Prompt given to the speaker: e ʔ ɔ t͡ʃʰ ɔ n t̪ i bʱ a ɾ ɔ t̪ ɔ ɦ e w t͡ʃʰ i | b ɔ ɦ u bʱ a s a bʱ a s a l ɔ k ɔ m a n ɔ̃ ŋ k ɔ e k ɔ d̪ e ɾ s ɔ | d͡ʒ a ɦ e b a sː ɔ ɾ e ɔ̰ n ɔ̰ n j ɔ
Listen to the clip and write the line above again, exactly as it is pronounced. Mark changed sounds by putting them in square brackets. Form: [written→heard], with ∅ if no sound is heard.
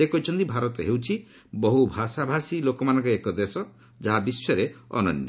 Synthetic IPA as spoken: e [ʔ→k] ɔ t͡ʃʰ ɔ n t̪ i bʱ a ɾ ɔ t̪ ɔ ɦ e w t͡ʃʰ i | b ɔ ɦ u bʱ a s a bʱ a s [a→i] l [ɔ→o] k ɔ m a n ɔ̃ ŋ k ɔ e k ɔ d̪ e [ɾ→∅] s ɔ | d͡ʒ a ɦ [e→a] b [a→i] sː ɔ ɾ e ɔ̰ n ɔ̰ n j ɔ